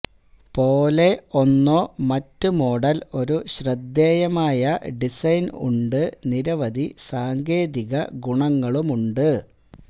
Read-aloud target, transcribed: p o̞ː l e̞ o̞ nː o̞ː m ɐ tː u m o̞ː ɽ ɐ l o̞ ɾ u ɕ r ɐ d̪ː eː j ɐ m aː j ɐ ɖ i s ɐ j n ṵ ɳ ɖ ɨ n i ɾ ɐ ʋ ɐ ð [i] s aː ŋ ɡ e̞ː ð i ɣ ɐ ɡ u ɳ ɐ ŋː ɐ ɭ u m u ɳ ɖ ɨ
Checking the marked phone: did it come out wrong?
no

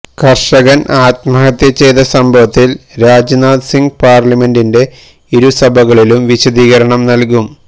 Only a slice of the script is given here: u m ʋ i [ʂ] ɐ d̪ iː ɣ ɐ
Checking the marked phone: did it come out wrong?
yes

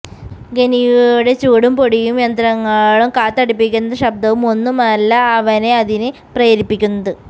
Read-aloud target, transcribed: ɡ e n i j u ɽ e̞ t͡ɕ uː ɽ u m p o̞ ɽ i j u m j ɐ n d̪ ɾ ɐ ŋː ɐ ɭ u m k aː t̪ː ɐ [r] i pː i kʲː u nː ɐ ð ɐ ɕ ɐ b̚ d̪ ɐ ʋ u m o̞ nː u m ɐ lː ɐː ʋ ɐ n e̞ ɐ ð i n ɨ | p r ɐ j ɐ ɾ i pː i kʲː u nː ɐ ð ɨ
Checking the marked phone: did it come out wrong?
yes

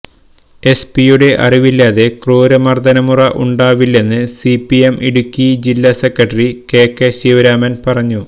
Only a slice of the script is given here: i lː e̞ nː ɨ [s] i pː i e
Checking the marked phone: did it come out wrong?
no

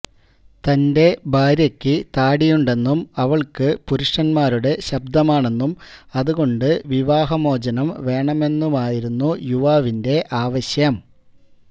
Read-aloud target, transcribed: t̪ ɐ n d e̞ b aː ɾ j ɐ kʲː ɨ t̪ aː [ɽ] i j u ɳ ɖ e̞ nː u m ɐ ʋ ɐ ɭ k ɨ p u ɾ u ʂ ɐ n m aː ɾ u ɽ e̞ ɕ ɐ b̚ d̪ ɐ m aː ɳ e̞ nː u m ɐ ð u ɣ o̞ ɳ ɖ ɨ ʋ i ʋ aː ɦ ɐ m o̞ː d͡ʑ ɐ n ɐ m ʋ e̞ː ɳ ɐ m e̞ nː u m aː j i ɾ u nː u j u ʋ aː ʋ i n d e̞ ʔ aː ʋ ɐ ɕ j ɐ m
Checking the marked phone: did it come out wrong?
no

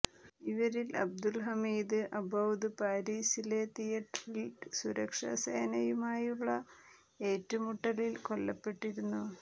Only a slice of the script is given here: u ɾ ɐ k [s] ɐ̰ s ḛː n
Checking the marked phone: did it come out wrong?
yes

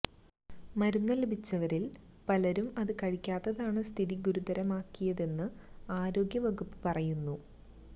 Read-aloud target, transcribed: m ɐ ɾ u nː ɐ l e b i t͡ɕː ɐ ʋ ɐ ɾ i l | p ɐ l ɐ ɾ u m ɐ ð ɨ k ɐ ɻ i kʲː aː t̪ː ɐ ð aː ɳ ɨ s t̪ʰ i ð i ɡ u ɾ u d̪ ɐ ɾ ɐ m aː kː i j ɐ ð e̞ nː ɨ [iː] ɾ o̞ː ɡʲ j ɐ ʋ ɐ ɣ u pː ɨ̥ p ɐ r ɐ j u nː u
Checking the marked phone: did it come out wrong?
yes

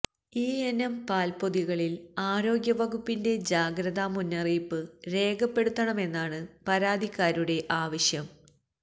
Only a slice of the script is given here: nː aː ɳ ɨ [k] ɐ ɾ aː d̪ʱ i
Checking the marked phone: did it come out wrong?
yes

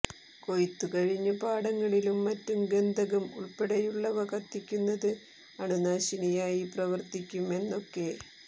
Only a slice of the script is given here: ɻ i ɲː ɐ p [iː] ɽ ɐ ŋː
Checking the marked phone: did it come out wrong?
yes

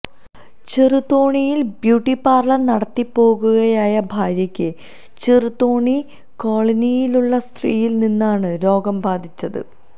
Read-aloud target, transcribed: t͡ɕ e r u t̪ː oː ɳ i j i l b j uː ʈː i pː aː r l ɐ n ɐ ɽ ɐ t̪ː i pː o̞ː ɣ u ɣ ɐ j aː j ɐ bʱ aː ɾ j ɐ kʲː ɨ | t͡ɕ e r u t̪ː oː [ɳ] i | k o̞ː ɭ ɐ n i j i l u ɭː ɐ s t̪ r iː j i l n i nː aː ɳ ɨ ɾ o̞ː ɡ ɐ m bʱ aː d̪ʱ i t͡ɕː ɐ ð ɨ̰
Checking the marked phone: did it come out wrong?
no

